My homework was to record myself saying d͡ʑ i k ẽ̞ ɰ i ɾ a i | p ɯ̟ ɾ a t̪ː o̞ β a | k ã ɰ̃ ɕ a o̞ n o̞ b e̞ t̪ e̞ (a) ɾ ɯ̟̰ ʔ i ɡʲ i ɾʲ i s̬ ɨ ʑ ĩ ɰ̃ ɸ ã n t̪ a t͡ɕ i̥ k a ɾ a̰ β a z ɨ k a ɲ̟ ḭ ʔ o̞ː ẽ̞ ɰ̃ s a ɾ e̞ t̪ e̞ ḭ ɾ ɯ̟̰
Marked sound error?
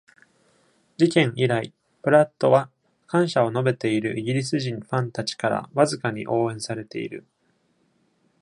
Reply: yes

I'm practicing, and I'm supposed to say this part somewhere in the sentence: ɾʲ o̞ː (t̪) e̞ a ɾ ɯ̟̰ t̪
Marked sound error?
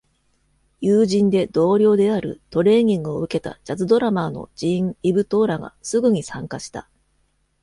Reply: yes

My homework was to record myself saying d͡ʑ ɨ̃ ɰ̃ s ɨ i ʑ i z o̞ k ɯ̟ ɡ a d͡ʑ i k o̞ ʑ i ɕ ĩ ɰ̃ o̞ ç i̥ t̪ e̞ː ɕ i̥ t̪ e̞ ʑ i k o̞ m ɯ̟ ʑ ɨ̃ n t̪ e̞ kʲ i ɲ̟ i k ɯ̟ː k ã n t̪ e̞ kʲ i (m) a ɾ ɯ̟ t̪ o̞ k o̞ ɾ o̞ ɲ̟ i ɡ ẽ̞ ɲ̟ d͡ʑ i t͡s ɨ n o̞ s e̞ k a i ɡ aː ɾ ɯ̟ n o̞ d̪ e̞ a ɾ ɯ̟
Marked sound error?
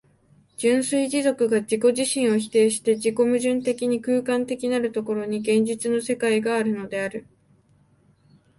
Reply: yes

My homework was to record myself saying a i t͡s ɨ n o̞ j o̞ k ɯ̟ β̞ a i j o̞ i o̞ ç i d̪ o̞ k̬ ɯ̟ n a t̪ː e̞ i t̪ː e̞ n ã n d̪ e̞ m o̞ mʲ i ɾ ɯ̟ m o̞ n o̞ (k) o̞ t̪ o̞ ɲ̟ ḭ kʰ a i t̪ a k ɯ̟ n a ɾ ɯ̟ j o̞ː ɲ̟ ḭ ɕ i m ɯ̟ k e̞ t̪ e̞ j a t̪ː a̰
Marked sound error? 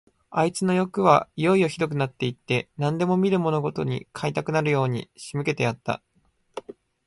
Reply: yes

